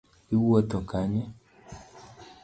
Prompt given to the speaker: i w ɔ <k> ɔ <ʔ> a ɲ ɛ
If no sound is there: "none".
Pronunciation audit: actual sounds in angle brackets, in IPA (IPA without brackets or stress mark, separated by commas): t, k